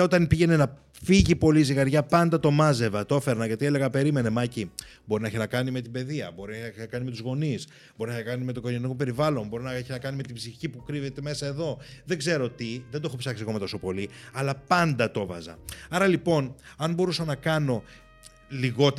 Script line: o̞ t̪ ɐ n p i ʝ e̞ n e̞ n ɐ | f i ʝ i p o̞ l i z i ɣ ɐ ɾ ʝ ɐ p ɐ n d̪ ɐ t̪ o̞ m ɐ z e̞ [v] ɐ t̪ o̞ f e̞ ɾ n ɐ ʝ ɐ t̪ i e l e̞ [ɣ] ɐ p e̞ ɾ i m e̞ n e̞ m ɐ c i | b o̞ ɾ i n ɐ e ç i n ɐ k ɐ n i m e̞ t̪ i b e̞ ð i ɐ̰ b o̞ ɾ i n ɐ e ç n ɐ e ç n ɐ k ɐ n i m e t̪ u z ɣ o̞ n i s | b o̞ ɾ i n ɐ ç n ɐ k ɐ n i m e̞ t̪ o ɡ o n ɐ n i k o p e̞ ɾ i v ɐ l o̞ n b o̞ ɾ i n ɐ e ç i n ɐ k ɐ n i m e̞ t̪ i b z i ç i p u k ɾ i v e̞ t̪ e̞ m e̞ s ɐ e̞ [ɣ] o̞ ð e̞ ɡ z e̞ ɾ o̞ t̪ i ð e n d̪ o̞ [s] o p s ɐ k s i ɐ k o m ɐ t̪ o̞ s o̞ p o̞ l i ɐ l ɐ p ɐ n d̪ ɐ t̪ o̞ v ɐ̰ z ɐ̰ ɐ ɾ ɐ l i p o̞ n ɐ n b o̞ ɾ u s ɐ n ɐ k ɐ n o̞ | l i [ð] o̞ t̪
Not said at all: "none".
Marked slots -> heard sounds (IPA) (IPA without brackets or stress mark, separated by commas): v, ɣ, ð, x, ɣ